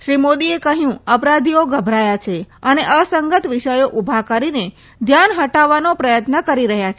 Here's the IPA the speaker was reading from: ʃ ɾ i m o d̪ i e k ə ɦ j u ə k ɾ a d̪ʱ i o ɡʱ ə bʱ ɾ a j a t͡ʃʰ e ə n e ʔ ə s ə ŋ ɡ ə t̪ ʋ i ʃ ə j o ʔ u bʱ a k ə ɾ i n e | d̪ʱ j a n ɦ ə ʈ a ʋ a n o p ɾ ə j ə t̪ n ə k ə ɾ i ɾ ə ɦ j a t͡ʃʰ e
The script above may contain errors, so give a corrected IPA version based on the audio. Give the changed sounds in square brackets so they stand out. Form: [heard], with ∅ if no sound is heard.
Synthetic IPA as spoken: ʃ ɾ i m o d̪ i e k ə ɦ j [ũ] ə [p] ɾ a d̪ʱ i o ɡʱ ə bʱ ɾ a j a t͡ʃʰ e ə n e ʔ ə s ə ŋ ɡ ə t̪ ʋ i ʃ ə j o ʔ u bʱ a k ə ɾ i n e | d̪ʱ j a n ɦ ə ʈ a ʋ a n o p ɾ ə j ə t̪ n ə k ə ɾ i ɾ ə ɦ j a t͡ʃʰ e